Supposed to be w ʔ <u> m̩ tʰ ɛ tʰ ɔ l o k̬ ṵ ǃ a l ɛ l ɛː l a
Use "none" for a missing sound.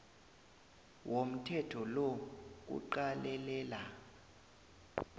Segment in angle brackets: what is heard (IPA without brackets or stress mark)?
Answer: o